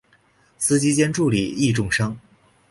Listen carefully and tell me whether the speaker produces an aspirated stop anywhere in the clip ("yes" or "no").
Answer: no